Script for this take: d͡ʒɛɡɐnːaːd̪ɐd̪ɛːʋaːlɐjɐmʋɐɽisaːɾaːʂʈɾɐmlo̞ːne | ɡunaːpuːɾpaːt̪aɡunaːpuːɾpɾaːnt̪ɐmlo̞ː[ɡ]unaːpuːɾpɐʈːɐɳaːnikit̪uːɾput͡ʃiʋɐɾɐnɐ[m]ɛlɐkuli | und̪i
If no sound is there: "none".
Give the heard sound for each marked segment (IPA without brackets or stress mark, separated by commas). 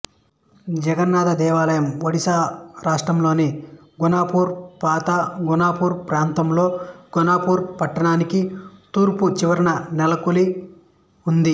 ɡ, n